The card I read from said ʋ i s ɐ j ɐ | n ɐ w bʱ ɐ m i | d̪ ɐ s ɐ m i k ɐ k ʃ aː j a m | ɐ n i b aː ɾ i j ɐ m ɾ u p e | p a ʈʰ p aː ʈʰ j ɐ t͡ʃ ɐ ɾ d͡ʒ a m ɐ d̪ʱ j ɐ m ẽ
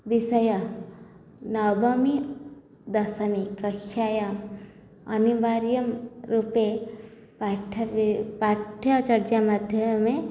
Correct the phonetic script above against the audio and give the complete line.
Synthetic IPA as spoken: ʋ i s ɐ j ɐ | n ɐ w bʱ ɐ m i | d̪ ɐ s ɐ m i k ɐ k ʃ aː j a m | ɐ n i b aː ɾ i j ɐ m ɾ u p e | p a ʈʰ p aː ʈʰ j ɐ t͡ʃ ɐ ɾ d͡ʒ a m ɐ d̪ʱ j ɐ m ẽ